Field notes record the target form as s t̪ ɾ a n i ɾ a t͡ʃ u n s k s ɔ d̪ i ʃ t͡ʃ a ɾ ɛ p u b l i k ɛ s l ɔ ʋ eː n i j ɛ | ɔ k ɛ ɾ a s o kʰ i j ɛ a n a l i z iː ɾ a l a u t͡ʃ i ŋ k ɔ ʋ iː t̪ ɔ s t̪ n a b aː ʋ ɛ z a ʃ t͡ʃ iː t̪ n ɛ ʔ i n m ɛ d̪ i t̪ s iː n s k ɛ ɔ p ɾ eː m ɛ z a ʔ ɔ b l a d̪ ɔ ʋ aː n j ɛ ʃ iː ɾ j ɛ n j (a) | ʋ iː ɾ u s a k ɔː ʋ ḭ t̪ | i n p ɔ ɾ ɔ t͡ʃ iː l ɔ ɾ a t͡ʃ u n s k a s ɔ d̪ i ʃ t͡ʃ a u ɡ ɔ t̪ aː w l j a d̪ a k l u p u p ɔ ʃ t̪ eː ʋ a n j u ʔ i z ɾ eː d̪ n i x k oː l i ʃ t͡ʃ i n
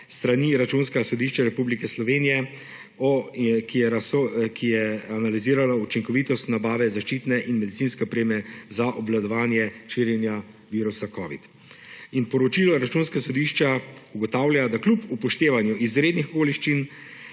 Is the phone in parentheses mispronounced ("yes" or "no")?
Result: no